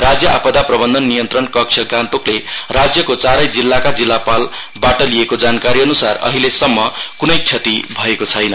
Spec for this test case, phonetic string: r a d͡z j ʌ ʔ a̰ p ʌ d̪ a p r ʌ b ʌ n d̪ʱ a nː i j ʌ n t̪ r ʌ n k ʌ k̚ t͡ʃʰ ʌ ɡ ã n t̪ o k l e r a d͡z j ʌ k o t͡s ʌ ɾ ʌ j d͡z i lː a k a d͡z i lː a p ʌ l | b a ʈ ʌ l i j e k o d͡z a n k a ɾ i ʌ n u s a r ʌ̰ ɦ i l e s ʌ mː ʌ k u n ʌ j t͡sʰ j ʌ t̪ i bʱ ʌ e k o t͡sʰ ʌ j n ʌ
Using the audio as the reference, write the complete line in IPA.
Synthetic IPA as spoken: r a d͡z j ʌ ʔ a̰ p ʌ d̪ a p r ʌ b ʌ n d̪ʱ ʌ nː i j ʌ n t̪ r ʌ n k ʌ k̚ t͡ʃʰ ʌ ɡ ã n t̪ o k l e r a d͡z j ʌ k o t͡s a ɾ ʌ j d͡z i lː a k a d͡z i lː a p a l | b a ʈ ʌ l i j e k o d͡z a n k a ɾ i ʌ n u s a r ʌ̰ ɦ i l e s ʌ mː ʌ k u n ʌ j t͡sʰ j ʌ t̪ i bʱ ʌ e k o t͡sʰ ʌ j n ʌ

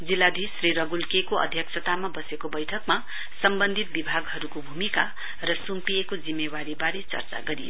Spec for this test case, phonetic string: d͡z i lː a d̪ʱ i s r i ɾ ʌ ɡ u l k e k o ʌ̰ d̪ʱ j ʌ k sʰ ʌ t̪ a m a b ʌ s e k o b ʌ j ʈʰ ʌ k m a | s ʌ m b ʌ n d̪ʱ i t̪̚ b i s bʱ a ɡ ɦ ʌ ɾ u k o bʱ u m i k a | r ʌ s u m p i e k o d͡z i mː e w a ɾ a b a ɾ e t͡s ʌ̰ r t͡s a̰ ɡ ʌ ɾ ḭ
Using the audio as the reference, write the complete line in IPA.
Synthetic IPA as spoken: d͡z i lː a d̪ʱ i s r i ɾ ʌ ɡ u l k e k o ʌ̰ d̪ʱ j ʌ k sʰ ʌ t̪ a m a b ʌ s e k o b ʌ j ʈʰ ʌ k m a | s ʌ m b ʌ n d̪ʱ i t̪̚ b i bʱ a ɡ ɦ ʌ ɾ u k o bʱ u m i k a | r ʌ s u m p i e k o d͡z i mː e w a ɾ i b a ɾ e t͡s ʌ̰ r t͡s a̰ ɡ ʌ ɾ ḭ

